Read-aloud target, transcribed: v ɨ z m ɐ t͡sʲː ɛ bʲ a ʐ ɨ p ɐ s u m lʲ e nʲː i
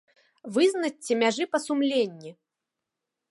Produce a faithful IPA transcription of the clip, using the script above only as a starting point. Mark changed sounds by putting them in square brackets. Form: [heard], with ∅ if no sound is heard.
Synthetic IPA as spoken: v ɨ z [n] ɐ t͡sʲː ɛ [mʲ] a ʐ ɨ p ɐ s u m lʲ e nʲː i